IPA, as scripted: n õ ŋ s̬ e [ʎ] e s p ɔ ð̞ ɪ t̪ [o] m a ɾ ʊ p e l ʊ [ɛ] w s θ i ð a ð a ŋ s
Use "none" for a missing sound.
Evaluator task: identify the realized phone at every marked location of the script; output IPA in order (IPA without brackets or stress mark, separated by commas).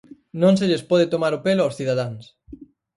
ʎ, o, a